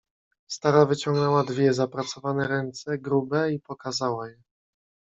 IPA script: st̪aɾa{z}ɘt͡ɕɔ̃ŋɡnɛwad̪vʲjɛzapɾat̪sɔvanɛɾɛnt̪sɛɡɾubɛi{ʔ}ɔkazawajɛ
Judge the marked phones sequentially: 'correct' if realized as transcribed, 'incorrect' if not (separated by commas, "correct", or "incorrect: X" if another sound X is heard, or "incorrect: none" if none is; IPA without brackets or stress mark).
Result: incorrect: v, incorrect: p